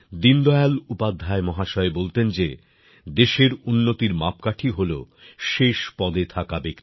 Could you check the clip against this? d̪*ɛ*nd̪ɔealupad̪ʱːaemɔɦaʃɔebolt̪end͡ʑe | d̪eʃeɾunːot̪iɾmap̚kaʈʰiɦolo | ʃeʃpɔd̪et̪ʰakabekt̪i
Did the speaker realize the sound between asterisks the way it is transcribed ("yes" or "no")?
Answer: no